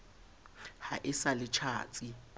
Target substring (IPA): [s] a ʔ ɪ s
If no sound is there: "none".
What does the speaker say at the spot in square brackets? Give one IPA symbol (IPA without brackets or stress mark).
h